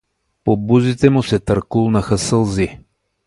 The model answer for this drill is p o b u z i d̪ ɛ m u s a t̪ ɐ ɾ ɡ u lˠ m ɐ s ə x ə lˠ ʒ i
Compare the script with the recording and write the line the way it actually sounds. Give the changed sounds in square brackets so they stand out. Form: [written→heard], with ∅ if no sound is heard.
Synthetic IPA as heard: p o b u z i [d̪→t̪] ɛ m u s [a→ɛ] t̪ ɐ ɾ [ɡ→k] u lˠ [m→n] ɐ [s→x] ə [x→s] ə lˠ [ʒ→z] i